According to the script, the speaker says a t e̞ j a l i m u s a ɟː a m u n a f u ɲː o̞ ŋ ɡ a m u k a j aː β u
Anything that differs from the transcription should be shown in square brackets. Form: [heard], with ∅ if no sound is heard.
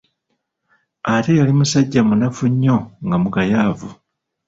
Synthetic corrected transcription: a t e̞ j a l i m u s a ɟː a m u n a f u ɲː o̞ ŋ ɡ a m u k a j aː [v] u